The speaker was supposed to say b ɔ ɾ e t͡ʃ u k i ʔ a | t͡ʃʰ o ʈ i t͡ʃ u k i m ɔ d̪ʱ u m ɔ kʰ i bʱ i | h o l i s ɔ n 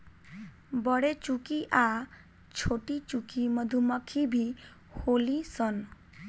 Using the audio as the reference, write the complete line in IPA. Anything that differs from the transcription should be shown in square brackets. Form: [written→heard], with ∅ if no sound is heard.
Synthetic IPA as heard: b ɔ [ɾ→ɽ] e t͡ʃ u k i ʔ a | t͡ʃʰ o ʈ i t͡ʃ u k i m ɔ d̪ʱ u m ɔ kʰ i bʱ i | h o l i s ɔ n

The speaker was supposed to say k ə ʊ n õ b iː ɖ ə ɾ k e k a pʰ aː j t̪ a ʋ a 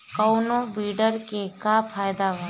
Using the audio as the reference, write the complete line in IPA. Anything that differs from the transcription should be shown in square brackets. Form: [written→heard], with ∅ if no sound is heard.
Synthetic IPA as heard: k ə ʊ n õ b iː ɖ ə ɾ k e k a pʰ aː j [t̪→d̪] a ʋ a

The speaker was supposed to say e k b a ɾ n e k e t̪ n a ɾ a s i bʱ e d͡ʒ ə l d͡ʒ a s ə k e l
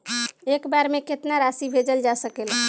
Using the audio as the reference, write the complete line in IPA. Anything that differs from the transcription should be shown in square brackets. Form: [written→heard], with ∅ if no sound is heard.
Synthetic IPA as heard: e k b a ɾ [n→m] e k e t̪ n a ɾ a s i bʱ e d͡ʒ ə l d͡ʒ a s ə k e l

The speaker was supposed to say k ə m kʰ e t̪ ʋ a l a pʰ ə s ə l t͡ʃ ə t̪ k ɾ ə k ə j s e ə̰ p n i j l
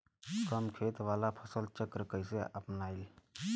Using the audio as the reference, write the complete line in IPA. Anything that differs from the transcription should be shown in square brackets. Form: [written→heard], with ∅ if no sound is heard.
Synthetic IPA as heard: k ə m kʰ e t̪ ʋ a l a pʰ ə s ə l t͡ʃ ə [t̪→∅] k ɾ ə k ə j s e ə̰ p n [i→a] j l

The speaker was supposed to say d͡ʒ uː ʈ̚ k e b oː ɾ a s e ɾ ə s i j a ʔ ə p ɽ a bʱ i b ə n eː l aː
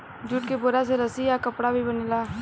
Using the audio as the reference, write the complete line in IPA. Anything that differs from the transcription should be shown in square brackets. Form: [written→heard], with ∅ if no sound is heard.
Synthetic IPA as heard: d͡ʒ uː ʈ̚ k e b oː ɾ a s e ɾ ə s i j a [ʔ→k] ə p ɽ a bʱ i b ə n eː l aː

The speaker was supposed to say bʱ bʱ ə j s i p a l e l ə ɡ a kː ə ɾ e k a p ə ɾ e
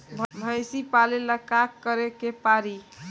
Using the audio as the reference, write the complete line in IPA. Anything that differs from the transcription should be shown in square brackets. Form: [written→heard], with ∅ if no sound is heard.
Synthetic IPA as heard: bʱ bʱ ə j s i p a l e l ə [ɡ→k] a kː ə ɾ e k [a→e] p [ə→a] ɾ [e→i]

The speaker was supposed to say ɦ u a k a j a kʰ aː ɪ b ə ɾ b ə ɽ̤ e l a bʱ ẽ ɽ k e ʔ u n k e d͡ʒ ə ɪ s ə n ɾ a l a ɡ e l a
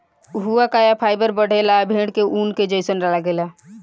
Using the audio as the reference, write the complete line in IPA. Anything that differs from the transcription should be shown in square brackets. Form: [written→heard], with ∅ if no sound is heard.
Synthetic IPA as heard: ɦ u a k a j a [kʰ→pʰ] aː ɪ b ə ɾ b ə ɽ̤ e l a bʱ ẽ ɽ k e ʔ u n k e d͡ʒ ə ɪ s ə n ɾ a l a ɡ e l a

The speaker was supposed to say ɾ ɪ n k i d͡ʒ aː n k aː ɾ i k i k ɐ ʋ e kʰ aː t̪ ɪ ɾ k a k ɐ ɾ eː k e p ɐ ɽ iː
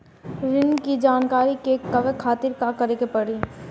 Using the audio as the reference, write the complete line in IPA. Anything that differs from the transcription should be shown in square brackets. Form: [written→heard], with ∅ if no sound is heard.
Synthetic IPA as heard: ɾ ɪ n k i d͡ʒ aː n k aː ɾ i k [i→e] k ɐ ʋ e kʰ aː t̪ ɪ ɾ k a k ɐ ɾ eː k e p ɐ ɽ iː

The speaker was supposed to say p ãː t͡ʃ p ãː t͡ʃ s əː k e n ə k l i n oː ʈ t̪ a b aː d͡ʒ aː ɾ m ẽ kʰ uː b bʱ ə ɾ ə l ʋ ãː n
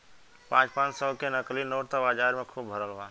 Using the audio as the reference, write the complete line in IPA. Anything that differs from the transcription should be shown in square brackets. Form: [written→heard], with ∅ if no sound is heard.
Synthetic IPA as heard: p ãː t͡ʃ p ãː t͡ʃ s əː k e n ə k l i n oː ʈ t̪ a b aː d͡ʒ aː ɾ m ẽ kʰ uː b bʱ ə ɾ ə l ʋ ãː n

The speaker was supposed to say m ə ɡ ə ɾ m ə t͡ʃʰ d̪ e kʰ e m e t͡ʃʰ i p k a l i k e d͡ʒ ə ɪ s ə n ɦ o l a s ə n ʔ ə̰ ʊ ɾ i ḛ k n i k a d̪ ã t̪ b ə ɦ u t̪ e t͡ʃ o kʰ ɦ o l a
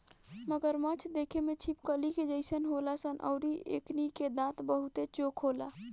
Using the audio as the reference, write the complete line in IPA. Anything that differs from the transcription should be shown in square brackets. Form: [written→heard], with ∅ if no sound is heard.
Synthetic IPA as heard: m ə ɡ ə ɾ m ə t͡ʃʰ d̪ e kʰ e m e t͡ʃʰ i p k [a→ə] l i k e d͡ʒ ə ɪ s ə n ɦ o l a s ə n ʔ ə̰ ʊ ɾ i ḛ k n i k [a→e] d̪ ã t̪ b ə ɦ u t̪ e t͡ʃ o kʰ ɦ o l a

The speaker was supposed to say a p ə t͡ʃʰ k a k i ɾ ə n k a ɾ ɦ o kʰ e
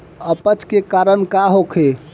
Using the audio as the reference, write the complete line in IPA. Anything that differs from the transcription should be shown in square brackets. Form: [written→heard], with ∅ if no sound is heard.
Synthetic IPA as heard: [a→ə] p ə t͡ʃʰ k [a→e] k [i→a] ɾ ə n k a [ɾ→∅] ɦ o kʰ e

